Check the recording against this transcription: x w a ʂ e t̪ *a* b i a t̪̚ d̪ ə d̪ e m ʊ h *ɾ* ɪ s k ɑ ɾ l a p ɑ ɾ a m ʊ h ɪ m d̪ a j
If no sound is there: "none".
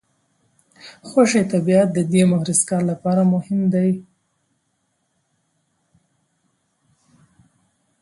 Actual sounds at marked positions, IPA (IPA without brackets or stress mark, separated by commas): a, ɾ